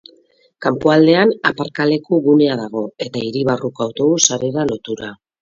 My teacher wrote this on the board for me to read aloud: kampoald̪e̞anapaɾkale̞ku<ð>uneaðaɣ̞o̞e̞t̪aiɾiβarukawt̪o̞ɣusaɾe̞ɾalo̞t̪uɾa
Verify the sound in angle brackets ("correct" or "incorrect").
incorrect